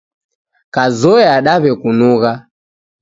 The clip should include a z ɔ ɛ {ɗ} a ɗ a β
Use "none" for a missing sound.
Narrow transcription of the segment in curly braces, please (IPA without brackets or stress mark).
none